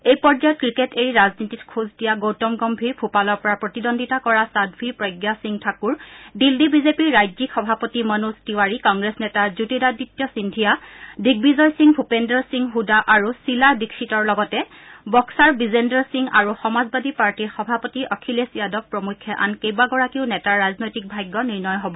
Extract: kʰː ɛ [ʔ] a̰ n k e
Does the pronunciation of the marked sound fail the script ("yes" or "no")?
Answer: no